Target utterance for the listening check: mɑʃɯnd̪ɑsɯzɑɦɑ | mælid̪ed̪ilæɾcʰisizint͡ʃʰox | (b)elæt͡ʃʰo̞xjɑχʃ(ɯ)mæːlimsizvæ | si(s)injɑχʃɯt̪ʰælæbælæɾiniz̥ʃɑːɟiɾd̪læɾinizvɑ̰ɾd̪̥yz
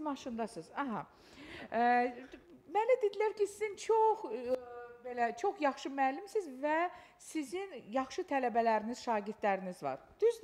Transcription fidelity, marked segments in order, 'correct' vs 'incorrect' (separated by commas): correct, correct, incorrect